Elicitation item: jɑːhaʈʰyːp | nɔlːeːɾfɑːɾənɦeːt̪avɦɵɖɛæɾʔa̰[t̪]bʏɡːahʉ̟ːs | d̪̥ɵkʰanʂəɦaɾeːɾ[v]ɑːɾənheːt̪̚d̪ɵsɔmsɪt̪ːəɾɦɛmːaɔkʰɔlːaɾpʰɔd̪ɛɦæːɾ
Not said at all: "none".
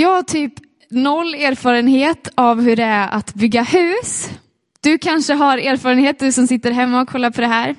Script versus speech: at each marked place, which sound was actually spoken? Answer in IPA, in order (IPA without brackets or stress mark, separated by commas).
t̪, f